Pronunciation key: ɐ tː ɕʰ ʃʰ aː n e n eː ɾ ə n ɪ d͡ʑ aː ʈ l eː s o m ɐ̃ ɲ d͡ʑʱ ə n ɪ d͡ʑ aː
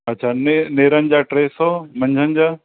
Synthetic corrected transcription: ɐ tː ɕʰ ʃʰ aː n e n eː ɾ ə n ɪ d͡ʑ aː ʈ ɾ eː s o m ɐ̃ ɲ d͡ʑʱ ə n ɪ d͡ʑ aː